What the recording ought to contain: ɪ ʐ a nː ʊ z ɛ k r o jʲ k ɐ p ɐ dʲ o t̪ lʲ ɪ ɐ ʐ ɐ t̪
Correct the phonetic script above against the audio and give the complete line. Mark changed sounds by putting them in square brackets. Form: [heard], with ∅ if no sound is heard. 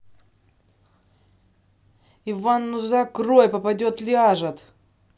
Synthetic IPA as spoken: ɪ [v] a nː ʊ z [a] k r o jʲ [p] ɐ p ɐ dʲ o t̪ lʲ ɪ [a] ʐ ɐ t̪